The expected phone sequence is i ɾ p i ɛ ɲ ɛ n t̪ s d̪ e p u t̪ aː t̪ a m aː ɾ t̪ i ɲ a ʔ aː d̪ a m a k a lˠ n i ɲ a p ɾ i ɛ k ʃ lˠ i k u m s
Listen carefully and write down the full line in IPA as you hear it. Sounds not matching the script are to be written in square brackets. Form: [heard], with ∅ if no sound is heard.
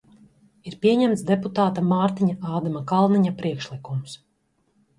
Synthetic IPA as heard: i ɾ p i ɛ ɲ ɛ [m] t̪ s d̪ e p u t̪ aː t̪ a m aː ɾ t̪ i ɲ a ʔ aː d̪ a m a k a lˠ n i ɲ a p ɾ i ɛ k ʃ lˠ i k u m s